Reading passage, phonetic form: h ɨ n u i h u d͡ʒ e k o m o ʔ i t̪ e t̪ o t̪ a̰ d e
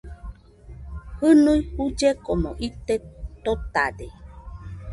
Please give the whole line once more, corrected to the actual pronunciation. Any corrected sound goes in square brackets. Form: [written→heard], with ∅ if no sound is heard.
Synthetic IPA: h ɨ n u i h u d͡ʒ e k o m o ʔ i t̪ e t̪ o t̪ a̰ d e

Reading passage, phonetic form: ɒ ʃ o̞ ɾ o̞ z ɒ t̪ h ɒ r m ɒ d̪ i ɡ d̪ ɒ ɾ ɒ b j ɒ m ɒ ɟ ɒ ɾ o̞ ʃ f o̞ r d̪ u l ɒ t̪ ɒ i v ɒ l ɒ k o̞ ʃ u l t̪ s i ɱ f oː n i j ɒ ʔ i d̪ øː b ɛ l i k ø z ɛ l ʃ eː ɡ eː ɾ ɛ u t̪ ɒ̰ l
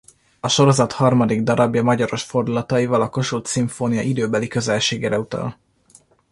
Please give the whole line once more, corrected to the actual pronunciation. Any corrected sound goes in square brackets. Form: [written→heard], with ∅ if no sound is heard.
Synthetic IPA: ɒ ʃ o̞ ɾ o̞ z ɒ t̪ h ɒ r m ɒ d̪ i ɡ d̪ ɒ ɾ ɒ b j ɒ m ɒ ɟ ɒ ɾ o̞ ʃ f o̞ r d̪ u l ɒ t̪ ɒ i v ɒ l ɒ k o̞ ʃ u l t̪ s i ɱ f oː n i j ɒ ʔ i d̪ øː b ɛ l i k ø z ɛ l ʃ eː ɡ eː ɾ ɛ u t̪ ɒ̰ l

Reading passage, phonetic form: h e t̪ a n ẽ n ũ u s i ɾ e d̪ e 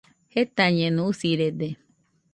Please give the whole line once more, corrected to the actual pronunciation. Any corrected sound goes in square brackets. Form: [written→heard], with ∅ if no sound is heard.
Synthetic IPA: h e t̪ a [n→ɲ] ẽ n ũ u s i ɾ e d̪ e

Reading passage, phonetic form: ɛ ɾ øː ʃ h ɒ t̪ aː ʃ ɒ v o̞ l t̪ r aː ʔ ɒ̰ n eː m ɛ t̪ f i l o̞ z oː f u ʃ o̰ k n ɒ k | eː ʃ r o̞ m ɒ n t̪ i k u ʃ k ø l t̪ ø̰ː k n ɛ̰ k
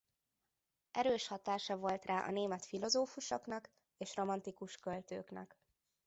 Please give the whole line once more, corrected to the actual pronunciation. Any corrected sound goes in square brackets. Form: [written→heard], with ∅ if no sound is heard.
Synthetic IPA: ɛ ɾ øː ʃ h ɒ t̪ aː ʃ ɒ v o̞ l t̪ r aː ʔ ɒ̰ n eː m ɛ t̪ f i l o̞ z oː f u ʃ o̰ k n ɒ k | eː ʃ r o̞ m ɒ n t̪ i k u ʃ k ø l t̪ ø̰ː k n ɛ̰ k

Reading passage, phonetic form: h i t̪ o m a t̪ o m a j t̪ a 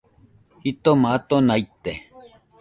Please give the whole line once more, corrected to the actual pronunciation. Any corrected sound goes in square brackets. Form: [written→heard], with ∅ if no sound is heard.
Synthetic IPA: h i t̪ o m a t̪ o [m→n] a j t̪ [a→e]

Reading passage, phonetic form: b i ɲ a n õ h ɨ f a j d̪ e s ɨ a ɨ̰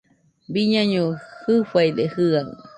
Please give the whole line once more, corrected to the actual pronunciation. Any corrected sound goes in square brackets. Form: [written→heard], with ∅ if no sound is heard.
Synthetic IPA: b i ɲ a [n→ɲ] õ h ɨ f a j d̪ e [s→h] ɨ a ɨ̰

